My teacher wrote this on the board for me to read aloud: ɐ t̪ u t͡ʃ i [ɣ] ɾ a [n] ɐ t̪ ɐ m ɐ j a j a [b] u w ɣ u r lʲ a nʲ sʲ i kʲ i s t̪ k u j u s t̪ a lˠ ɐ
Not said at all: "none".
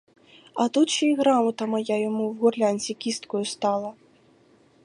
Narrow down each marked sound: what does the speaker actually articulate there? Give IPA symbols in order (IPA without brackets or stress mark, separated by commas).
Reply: ɣ, m, m